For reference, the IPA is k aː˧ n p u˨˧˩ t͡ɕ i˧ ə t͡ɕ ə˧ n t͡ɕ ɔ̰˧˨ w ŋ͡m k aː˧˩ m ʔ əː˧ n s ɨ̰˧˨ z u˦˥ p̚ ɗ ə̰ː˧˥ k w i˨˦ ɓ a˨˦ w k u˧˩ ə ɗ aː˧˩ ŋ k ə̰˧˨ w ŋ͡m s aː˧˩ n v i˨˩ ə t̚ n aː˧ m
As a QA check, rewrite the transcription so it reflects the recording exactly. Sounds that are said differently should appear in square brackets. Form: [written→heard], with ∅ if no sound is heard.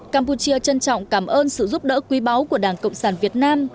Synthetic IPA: k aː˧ [n→m] p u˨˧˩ t͡ɕ i˧ ə t͡ɕ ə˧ n t͡ɕ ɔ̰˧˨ w ŋ͡m k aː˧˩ m ʔ əː˧ n s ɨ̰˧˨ z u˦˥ p̚ ɗ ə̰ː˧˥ k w i˨˦ ɓ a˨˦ w k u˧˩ ə ɗ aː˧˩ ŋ k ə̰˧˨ w ŋ͡m s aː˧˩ n v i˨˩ ə t̚ n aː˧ m